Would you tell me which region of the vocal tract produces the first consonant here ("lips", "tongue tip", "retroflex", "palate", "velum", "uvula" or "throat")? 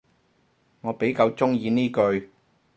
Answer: velum